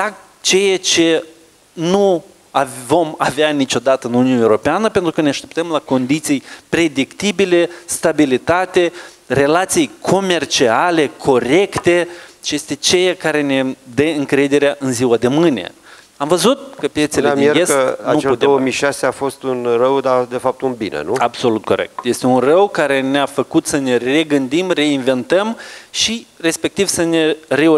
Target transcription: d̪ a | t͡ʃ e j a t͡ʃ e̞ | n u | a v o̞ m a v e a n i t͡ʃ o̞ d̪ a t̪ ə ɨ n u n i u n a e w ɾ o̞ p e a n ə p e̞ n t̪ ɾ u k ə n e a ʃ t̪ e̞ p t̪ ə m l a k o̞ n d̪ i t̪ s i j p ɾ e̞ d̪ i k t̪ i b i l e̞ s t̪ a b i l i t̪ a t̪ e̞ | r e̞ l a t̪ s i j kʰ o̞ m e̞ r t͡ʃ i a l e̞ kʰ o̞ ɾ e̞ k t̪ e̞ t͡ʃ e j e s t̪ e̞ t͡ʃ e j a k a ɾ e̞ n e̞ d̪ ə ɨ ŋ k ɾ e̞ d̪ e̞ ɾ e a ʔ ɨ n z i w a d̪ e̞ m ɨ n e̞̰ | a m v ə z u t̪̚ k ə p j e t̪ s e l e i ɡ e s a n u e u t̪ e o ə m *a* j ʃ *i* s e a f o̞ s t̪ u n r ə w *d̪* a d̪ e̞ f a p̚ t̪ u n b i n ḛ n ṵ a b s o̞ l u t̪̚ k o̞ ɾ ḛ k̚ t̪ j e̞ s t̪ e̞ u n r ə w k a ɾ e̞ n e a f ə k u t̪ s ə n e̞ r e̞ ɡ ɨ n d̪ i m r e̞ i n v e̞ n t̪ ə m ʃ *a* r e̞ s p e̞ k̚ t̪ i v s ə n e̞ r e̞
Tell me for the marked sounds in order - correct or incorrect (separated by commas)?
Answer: incorrect, incorrect, correct, incorrect